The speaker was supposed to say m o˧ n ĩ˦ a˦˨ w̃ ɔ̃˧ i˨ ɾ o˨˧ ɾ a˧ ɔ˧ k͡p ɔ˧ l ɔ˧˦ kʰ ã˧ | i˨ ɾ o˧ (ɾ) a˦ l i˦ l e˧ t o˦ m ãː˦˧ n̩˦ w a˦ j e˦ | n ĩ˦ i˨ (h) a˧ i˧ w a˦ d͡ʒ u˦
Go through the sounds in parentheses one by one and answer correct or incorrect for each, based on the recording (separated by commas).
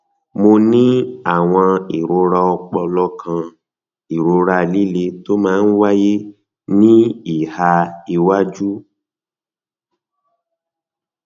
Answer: correct, correct